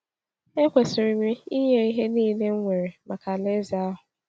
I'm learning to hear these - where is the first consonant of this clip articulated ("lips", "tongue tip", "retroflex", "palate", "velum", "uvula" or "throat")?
velum